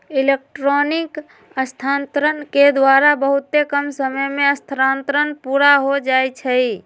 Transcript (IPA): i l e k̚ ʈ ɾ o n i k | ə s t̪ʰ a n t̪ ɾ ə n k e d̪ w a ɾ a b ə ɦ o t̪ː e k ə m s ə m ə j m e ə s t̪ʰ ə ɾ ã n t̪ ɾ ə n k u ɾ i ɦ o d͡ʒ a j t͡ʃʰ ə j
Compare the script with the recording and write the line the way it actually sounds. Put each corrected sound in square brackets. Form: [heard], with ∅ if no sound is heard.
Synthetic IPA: i l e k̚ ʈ ɾ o n i k | ə s t̪ʰ a n t̪ ɾ ə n k e d̪ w a ɾ a b ə ɦ [u] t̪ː e k ə m s ə m ə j m e ə s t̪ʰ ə ɾ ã n t̪ ɾ ə n [p] u ɾ [a] ɦ o d͡ʒ a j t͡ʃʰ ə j

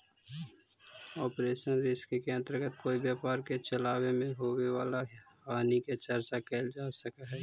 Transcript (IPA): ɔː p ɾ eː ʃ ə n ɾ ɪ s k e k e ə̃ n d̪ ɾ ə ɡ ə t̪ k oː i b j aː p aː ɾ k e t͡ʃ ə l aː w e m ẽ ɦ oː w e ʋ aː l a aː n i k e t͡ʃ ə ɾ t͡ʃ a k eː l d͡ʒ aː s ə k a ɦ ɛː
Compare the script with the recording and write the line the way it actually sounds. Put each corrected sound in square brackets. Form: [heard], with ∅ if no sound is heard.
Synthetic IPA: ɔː p ɾ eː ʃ ə n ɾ ɪ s k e k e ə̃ n [t̪] ɾ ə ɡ ə t̪ k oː i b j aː p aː ɾ k e t͡ʃ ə l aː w e m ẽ ɦ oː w e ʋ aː l a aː n i k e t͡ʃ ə ɾ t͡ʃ a k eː l d͡ʒ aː s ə k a ɦ ɛː

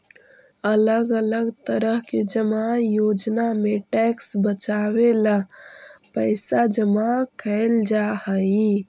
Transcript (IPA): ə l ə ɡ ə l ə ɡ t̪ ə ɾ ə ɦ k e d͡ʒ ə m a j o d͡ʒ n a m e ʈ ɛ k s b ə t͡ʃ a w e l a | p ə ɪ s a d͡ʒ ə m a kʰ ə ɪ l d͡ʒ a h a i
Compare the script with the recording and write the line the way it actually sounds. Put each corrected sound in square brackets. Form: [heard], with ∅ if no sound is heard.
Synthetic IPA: ə l ə ɡ ə l ə ɡ t̪ ə ɾ ə ɦ k e d͡ʒ ə m a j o d͡ʒ n a m e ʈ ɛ k s b ə t͡ʃ a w e l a | p ə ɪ s a d͡ʒ ə m a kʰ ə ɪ l d͡ʒ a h [ə] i

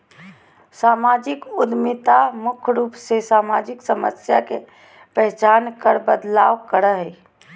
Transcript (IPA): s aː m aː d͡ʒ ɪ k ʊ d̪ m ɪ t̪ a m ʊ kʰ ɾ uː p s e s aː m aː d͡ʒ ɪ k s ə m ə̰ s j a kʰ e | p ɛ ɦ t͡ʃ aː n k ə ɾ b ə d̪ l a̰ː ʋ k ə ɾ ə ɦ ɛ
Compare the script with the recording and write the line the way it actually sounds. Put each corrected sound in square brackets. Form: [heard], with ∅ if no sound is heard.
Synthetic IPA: s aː m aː d͡ʒ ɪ k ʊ d̪ m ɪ t̪ a m ʊ kʰ ɾ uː p s e s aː m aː d͡ʒ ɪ k s ə m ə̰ s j a [k] e | p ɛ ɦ t͡ʃ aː n k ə ɾ b ə d̪ l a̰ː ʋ k ə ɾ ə ɦ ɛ

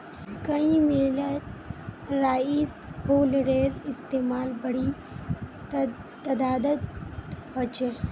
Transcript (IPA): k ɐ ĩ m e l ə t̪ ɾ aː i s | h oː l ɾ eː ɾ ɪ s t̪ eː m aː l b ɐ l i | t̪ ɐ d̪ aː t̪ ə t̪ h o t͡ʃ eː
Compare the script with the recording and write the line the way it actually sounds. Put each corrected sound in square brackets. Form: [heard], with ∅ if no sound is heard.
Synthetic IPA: k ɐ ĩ m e l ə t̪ ɾ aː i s | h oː l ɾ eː ɾ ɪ s t̪ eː m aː l b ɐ [ɽ] i | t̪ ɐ d̪ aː [d̪] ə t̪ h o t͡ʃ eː

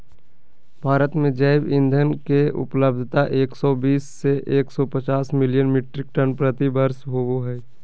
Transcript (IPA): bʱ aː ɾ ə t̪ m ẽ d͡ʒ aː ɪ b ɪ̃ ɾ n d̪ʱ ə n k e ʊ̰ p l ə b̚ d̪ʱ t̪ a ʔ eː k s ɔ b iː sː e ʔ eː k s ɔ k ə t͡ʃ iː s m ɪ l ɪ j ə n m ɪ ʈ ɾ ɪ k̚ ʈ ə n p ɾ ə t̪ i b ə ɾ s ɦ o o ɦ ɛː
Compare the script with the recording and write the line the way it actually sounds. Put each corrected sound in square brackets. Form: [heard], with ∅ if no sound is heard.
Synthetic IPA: bʱ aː ɾ ə t̪ m ẽ d͡ʒ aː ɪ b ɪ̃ [∅] n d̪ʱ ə n k e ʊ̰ p l ə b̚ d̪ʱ t̪ a ʔ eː k s ɔ b iː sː e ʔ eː k s ɔ [p] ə t͡ʃ [aː] s m ɪ l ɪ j ə n m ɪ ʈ ɾ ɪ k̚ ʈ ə n p ɾ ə t̪ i b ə ɾ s ɦ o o ɦ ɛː

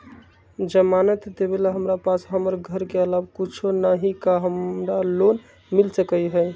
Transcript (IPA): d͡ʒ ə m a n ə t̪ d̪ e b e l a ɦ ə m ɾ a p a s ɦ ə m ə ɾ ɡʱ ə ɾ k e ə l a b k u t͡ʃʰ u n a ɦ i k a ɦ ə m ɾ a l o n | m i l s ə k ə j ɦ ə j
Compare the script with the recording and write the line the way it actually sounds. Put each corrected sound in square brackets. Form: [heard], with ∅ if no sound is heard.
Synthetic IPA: d͡ʒ ə m a n ə t̪ d̪ e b e l a ɦ ə m ɾ a p a s ɦ ə m ə ɾ ɡʱ ə ɾ k e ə l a b k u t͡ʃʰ [o] n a ɦ i k a ɦ ə m ɾ a l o n | m i l s ə k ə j ɦ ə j

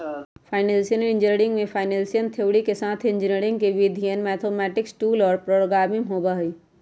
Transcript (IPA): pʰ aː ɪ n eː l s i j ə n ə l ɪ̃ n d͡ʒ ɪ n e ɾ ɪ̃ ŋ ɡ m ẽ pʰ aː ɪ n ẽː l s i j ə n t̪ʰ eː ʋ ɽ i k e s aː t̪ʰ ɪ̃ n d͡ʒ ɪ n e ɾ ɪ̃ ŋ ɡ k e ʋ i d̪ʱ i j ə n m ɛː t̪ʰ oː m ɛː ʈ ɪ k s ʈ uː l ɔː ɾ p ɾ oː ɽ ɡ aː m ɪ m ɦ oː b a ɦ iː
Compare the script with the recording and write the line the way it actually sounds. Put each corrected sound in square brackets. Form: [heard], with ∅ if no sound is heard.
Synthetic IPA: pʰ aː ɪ n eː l s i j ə n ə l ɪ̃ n d͡ʒ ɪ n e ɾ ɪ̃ ŋ ɡ m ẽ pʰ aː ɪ n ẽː l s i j ə n t̪ʰ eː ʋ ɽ i k e s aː t̪ʰ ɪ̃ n d͡ʒ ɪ n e ɾ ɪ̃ ŋ ɡ k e ʋ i d̪ʱ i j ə n m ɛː t̪ʰ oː m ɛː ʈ ɪ k s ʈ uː l ɔː ɾ p ɾ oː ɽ ɡ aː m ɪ m ɦ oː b a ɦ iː

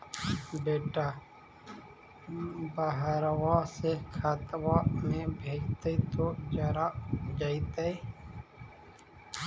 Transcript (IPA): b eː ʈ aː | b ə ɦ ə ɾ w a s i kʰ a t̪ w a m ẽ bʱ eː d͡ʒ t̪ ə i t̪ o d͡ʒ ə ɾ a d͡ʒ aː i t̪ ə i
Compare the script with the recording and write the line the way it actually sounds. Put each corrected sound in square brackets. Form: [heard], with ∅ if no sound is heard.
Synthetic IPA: b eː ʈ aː | b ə ɦ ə ɾ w a s [e] kʰ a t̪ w a m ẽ bʱ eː d͡ʒ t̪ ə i t̪ o d͡ʒ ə ɾ a d͡ʒ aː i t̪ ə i

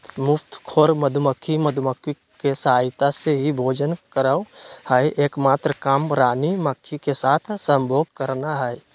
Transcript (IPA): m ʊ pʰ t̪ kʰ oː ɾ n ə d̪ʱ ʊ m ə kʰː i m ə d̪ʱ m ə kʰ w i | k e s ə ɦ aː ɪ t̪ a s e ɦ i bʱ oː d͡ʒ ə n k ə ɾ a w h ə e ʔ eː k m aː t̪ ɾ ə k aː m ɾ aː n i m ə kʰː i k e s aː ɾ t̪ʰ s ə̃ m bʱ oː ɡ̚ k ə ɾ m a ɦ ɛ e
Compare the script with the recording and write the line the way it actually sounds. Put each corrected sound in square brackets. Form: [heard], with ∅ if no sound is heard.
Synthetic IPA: m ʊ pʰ t̪ kʰ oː ɾ [m] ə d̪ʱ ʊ m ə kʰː i m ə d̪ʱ m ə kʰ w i | k e s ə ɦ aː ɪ t̪ a s e ɦ i bʱ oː d͡ʒ ə n k ə ɾ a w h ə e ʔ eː k m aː t̪ ɾ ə k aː m ɾ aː n i m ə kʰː i k e s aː [∅] t̪ʰ s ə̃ m bʱ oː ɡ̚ k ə ɾ [n] a ɦ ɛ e

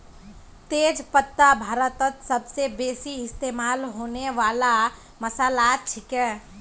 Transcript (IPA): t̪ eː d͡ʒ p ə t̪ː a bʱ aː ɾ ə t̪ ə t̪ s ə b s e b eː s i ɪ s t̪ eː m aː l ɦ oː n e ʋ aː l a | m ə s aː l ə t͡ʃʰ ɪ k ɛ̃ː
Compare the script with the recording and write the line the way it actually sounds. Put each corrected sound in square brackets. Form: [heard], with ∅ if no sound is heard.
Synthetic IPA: t̪ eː d͡ʒ p ə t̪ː a bʱ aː ɾ ə t̪ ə t̪ s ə b s e b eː s i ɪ s t̪ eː m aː l ɦ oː n e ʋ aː l a | m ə s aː l [a] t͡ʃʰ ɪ k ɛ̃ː

